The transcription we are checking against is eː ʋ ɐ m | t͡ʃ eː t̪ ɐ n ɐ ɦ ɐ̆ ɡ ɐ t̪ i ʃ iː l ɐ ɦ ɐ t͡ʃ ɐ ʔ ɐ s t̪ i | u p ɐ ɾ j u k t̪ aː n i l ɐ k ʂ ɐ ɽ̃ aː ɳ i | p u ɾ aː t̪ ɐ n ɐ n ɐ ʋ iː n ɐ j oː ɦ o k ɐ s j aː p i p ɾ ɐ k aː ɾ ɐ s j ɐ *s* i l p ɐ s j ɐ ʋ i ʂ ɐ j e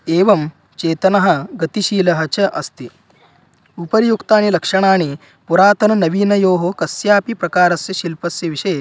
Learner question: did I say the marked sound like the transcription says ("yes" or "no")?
no